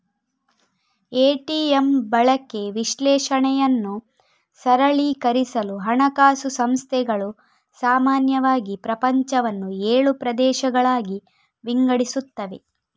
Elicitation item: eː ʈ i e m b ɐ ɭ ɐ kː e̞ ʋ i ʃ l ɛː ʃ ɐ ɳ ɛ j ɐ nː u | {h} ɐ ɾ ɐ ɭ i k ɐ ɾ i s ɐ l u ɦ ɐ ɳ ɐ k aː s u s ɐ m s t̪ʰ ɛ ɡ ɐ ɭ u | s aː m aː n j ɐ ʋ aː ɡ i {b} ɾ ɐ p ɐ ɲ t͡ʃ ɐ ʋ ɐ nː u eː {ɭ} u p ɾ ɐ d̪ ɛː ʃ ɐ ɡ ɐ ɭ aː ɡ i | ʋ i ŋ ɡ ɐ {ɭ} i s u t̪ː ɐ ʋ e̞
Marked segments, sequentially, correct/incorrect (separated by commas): incorrect, incorrect, correct, incorrect